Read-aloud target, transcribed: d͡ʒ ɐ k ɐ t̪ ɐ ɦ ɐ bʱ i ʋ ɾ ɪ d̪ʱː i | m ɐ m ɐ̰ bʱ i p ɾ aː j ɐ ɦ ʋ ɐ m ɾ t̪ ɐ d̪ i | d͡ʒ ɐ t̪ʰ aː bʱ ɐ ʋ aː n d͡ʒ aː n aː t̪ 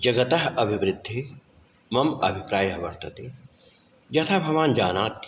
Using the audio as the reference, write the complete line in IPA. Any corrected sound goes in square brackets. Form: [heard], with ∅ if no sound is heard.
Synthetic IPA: d͡ʒ ɐ [ɡ] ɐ t̪ ɐ ɦ ɐ bʱ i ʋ ɾ ɪ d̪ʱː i | m ɐ m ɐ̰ bʱ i p ɾ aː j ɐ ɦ ʋ ɐ [∅] ɾ t̪ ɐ [t̪] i | d͡ʒ ɐ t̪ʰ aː bʱ ɐ ʋ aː n d͡ʒ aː n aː t̪